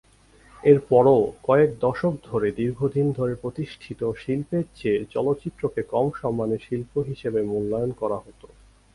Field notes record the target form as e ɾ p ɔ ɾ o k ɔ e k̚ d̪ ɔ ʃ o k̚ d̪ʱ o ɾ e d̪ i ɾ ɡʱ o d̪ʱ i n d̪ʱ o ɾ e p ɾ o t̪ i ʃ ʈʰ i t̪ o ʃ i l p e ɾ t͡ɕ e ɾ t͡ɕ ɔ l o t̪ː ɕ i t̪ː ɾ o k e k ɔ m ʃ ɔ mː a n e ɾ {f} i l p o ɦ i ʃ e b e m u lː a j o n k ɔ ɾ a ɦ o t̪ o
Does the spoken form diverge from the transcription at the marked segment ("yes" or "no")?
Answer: yes